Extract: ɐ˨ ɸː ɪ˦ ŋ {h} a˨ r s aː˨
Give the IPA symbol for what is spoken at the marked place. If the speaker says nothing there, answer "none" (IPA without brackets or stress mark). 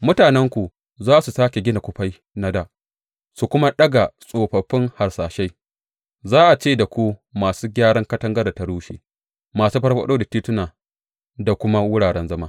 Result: h